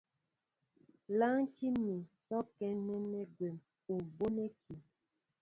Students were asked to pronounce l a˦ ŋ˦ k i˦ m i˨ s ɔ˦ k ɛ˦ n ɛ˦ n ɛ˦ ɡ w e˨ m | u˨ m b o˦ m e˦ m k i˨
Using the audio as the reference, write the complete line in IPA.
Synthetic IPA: l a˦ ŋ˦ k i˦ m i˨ s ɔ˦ k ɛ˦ n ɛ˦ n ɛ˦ ɡ w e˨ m | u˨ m b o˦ n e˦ k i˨